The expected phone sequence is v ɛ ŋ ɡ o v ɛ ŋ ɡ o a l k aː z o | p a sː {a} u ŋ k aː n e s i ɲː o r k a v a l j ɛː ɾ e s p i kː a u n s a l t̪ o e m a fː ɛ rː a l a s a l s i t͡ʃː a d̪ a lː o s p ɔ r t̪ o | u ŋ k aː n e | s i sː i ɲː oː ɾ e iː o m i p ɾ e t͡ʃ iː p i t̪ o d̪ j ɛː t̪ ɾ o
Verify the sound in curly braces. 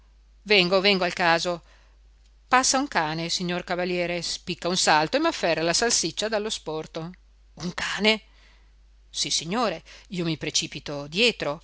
correct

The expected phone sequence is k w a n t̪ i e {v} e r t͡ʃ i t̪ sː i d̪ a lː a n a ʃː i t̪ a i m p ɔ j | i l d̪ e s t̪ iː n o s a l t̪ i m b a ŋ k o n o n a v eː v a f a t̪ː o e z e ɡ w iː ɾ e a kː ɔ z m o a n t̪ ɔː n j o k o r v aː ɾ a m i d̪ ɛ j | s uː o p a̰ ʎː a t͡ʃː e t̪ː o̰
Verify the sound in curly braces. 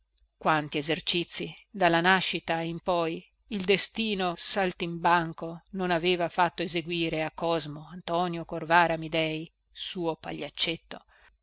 incorrect: z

